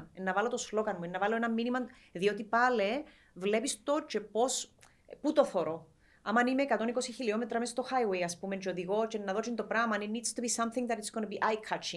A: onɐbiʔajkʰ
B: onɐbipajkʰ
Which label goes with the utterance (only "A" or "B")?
A